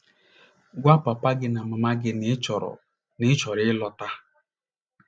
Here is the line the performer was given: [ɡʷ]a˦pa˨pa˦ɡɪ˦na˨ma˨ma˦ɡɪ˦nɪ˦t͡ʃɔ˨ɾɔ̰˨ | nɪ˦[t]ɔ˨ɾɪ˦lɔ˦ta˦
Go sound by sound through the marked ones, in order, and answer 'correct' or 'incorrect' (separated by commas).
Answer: correct, incorrect